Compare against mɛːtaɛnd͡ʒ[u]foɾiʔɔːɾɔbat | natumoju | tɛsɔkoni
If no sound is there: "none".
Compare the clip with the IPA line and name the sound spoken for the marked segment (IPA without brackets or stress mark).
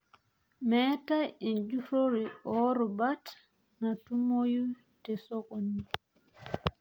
u